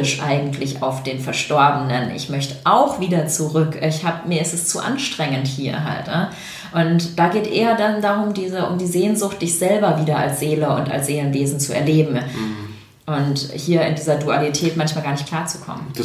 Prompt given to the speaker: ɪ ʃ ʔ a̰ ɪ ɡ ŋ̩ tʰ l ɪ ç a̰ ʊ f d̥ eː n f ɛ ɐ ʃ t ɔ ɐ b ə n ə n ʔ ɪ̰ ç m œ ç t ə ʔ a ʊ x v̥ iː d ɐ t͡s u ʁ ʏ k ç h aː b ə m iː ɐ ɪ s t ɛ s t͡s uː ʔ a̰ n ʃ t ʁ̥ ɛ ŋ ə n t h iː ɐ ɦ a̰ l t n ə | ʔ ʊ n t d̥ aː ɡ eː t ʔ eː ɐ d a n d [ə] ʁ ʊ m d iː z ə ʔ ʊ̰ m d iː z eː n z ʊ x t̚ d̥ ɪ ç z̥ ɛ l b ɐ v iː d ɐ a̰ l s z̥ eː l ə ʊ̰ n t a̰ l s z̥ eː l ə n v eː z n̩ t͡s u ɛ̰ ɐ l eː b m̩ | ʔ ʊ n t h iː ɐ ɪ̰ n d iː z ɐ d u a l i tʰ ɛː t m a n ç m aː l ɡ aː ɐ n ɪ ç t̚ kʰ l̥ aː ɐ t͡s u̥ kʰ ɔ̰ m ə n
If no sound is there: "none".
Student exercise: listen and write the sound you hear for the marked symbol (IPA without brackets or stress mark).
a